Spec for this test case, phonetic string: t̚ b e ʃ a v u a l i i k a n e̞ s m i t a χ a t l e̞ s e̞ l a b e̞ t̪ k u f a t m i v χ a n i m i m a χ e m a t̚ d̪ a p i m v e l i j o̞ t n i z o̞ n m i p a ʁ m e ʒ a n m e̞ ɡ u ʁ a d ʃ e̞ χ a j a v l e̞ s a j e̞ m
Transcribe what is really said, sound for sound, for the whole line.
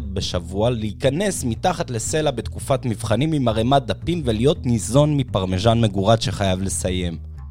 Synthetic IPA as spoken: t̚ b e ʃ a v u a l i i k a n e̞ s m i t a χ a t l e̞ s e̞ l a b e̞ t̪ k u f a t m i v χ a n i m i m a ʁ e m a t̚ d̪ a p i m v e l i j o̞ t n i z o̞ n m i p a ʁ m e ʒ a n m e̞ ɡ u ʁ a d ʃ e̞ χ a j a v l e̞ s a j e̞ m